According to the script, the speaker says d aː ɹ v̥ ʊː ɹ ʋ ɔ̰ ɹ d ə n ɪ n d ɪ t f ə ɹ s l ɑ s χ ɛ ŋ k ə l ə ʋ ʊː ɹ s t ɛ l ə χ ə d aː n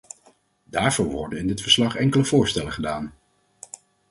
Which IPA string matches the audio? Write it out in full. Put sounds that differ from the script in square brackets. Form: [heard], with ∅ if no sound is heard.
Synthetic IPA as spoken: d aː ɹ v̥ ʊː ɹ ʋ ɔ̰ ɹ d ə n ɪ n d ɪ t f ə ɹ s l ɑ [∅] χ ɛ ŋ k ə l ə [v] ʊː ɹ s t ɛ l ə χ ə d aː n